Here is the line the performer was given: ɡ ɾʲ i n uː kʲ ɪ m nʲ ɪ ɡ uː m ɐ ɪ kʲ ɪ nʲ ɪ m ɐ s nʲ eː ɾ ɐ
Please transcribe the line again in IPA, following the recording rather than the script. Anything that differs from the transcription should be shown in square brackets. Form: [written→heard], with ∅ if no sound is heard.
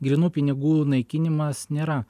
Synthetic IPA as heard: ɡ ɾʲ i n uː [kʲ→pʲ] ɪ [m→∅] nʲ ɪ ɡ uː [m→n] ɐ ɪ kʲ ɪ nʲ ɪ m ɐ s nʲ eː ɾ ɐ